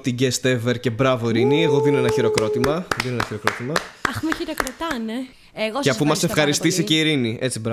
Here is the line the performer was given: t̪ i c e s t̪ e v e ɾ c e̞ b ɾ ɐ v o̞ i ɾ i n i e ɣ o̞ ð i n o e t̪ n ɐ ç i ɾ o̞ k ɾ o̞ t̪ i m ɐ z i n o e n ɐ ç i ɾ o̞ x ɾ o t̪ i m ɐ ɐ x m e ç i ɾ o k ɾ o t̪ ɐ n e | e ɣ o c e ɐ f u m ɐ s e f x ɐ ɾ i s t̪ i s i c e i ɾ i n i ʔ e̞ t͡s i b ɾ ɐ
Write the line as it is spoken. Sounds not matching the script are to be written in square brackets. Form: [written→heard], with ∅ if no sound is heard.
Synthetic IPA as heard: t̪ i [c→ɟ] e s t̪ e v e ɾ c e̞ b ɾ ɐ v o̞ i ɾ i n i e ɣ o̞ ð i n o e [t̪→∅] n ɐ ç i ɾ o̞ k ɾ o̞ t̪ i m ɐ [z→ð] i n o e n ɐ ç i ɾ o̞ [x→k] ɾ o t̪ i m ɐ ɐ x m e ç i ɾ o k ɾ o t̪ ɐ n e | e ɣ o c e ɐ f u m ɐ s e f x ɐ ɾ i s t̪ i s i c e i ɾ i n i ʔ e̞ t͡s i b ɾ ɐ